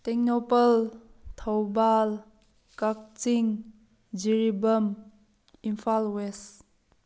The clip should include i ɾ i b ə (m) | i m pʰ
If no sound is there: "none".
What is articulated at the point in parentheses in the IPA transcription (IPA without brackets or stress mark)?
m